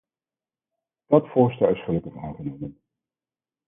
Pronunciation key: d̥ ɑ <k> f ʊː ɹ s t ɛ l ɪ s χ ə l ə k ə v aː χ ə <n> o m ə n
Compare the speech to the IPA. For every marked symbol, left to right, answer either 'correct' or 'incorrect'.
incorrect: t, correct

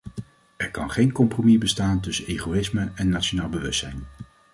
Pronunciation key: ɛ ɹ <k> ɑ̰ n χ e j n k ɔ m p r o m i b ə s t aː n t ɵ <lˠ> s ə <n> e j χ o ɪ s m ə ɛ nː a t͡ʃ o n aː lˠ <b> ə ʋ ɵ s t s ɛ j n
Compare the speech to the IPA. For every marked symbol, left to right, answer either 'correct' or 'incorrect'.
correct, incorrect: none, correct, correct

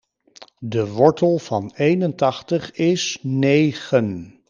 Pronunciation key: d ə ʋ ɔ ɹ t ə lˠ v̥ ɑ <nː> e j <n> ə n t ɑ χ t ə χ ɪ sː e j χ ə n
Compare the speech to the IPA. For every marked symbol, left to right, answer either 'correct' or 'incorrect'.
incorrect: n, correct

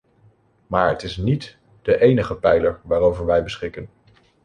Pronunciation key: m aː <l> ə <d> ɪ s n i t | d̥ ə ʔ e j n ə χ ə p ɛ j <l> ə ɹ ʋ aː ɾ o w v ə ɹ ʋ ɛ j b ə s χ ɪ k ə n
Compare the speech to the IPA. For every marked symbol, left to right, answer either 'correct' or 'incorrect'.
incorrect: ɹ, incorrect: t, correct

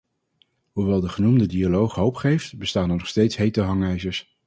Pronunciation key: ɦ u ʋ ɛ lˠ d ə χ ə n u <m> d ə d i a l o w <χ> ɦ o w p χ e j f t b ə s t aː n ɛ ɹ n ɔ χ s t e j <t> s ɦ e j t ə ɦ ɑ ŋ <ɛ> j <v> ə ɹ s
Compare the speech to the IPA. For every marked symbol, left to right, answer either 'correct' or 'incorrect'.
correct, correct, correct, correct, incorrect: z

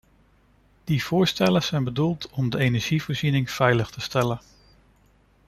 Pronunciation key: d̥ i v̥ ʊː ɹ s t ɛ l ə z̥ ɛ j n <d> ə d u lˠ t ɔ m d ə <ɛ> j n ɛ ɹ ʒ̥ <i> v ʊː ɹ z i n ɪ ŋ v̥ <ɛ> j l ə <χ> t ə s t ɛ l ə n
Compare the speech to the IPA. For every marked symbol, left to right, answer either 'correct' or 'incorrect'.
incorrect: b, incorrect: e, correct, correct, correct

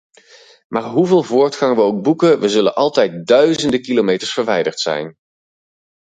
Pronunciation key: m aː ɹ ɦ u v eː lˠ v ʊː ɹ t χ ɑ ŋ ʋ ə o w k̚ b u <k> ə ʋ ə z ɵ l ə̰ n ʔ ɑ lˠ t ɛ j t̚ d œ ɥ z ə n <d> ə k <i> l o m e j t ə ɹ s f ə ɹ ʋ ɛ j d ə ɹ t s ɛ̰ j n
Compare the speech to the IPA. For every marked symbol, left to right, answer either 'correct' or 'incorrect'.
correct, correct, correct

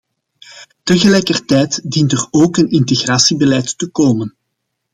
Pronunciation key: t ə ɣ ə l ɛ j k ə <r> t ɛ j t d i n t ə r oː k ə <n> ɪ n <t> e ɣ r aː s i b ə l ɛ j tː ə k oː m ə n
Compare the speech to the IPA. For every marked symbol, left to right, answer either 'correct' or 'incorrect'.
correct, correct, correct

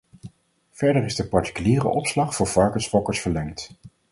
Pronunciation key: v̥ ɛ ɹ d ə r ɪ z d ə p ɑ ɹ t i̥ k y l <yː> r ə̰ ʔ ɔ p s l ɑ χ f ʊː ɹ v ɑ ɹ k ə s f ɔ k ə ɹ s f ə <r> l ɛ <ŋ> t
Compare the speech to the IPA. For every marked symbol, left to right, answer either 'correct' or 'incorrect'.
incorrect: iː, incorrect: ɹ, correct

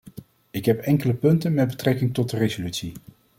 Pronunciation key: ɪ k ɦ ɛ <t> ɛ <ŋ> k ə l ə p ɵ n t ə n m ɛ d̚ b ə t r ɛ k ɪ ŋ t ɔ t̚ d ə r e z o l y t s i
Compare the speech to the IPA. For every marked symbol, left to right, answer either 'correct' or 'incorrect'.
incorrect: p, correct

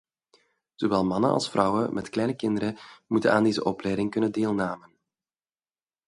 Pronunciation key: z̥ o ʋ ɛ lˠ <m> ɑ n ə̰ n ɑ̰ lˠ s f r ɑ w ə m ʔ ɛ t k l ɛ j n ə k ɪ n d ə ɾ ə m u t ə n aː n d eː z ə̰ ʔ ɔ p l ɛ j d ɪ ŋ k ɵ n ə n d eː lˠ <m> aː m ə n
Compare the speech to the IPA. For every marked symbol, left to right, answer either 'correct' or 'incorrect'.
correct, incorrect: n

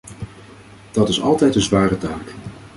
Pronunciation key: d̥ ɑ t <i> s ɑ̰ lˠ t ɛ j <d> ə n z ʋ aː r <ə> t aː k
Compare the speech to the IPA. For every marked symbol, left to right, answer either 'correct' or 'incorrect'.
incorrect: ɪ, incorrect: t, correct

